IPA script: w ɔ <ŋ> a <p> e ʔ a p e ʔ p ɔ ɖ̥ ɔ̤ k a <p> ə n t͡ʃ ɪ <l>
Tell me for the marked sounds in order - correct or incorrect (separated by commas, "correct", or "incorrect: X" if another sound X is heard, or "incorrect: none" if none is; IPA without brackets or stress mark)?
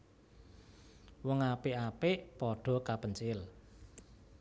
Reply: correct, correct, correct, correct